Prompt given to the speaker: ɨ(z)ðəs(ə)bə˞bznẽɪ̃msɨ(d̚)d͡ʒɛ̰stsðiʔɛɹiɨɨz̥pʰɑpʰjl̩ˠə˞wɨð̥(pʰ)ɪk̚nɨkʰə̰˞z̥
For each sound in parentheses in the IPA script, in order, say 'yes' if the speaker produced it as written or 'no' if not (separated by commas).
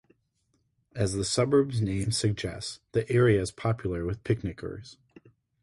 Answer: yes, no, no, yes